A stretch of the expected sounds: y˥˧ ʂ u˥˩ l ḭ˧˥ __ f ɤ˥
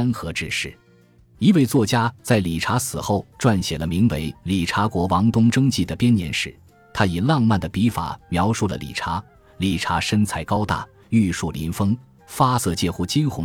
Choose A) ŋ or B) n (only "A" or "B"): B